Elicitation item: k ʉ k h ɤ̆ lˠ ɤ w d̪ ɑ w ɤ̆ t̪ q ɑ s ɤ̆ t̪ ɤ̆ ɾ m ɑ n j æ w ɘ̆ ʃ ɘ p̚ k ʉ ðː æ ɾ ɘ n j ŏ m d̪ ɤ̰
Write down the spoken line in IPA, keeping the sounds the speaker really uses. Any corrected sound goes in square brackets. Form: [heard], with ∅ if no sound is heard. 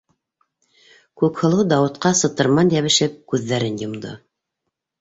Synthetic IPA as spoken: k ʉ k h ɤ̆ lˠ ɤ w d̪ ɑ w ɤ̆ t̪ q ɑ s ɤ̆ t̪ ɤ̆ ɾ m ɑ n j æ [β] ɘ̆ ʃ ɘ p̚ k ʉ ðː æ ɾ ɘ n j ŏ m d̪ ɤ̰